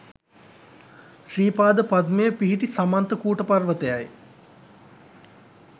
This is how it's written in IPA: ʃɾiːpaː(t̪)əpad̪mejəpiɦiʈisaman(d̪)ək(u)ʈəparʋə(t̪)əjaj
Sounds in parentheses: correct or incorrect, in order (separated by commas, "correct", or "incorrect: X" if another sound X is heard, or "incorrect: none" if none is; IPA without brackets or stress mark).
incorrect: d̪, incorrect: t̪, incorrect: uː, correct